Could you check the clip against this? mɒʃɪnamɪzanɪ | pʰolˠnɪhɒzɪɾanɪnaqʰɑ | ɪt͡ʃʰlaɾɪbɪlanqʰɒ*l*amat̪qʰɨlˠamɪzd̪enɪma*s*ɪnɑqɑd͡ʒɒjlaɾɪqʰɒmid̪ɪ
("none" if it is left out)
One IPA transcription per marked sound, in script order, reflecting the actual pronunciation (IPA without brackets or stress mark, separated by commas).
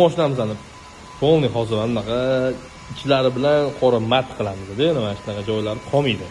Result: ɾ, ʃ